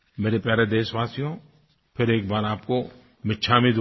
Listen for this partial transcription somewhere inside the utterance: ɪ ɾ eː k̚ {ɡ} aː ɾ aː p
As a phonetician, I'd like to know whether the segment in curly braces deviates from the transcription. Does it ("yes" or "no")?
yes